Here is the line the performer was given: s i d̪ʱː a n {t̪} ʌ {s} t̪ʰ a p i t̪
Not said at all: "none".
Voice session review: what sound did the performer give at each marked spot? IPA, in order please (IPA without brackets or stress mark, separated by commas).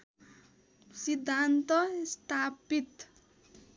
t̪, s